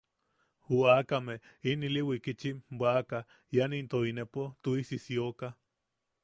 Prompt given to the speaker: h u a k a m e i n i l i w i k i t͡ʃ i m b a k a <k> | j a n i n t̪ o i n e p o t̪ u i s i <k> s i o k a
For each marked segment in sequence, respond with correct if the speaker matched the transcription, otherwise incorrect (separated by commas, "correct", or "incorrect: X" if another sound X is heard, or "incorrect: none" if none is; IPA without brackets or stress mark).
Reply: incorrect: none, incorrect: none